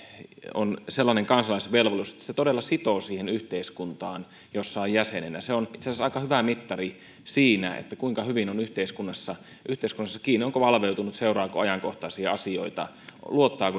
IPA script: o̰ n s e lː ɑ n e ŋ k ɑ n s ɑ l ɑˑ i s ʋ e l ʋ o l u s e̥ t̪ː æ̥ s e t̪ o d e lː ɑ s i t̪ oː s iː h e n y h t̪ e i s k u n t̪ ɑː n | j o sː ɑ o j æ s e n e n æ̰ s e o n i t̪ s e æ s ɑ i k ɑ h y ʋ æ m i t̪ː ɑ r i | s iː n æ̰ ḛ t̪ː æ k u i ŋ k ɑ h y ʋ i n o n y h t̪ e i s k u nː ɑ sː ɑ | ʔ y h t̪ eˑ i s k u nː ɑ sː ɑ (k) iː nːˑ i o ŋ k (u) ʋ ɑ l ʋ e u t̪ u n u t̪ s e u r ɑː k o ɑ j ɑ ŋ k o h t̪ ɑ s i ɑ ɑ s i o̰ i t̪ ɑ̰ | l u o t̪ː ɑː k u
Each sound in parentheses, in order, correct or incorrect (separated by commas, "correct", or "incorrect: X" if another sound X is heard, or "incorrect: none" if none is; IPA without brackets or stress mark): correct, incorrect: o